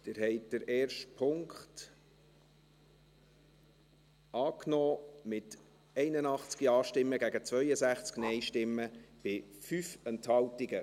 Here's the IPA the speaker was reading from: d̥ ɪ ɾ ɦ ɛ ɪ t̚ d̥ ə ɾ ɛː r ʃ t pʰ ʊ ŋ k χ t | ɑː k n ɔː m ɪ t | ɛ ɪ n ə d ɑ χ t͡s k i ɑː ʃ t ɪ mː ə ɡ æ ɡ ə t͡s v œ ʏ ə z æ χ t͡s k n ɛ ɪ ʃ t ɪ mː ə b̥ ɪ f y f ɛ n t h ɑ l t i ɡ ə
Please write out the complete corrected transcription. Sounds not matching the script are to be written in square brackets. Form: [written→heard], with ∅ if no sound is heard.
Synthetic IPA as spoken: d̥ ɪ ɾ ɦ ɛ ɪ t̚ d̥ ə ɾ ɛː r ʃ t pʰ ʊ ŋ k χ t | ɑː k n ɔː m ɪ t | ɛ ɪ n ə [d→n] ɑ χ t͡s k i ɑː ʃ t ɪ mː ə ɡ æ ɡ ə t͡s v œ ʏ ə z æ χ t͡s k n ɛ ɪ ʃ t ɪ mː ə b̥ ɪ f y f ɛ n t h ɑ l t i ɡ ə